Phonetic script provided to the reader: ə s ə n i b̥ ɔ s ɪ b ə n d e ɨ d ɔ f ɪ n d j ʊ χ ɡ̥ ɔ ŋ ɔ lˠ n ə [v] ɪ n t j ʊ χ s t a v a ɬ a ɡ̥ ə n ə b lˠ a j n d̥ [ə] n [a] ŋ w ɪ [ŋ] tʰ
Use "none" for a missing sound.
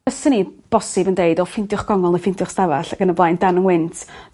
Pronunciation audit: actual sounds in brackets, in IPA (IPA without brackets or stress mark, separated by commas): f, a, ə, n